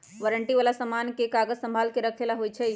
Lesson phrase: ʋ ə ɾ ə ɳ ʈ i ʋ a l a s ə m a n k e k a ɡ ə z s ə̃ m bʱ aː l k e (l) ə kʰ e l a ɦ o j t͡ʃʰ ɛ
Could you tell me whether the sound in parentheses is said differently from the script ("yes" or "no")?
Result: yes